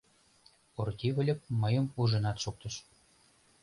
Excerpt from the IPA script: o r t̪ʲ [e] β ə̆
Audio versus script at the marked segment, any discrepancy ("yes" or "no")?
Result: yes